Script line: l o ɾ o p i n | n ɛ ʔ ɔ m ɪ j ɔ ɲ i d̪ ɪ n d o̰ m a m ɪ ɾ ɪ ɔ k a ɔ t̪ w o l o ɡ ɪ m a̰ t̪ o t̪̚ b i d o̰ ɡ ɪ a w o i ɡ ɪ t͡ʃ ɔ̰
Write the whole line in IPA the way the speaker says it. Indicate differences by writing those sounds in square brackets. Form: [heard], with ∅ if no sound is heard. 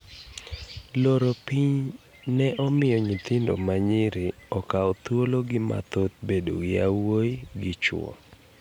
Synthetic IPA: l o ɾ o p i [ɲ] | n ɛ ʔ ɔ m ɪ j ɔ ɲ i [t̪] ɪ n d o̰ m a [ɲ] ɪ ɾ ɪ ɔ k a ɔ t̪ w o l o ɡ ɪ m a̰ t̪ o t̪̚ b [e] d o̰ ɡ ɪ a w o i ɡ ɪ t͡ʃ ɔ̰